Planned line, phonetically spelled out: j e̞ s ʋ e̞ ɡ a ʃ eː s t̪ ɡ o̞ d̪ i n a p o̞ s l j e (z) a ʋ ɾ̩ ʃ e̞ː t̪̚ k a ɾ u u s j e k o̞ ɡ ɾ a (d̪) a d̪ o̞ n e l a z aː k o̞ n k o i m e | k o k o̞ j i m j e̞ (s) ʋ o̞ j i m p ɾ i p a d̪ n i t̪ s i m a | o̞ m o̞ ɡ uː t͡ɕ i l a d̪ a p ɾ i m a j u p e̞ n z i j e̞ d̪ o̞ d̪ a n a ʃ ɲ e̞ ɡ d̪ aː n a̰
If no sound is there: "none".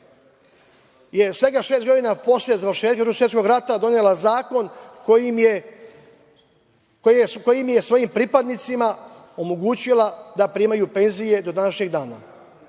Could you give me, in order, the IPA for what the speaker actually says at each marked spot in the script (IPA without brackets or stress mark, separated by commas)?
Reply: z, t̪, s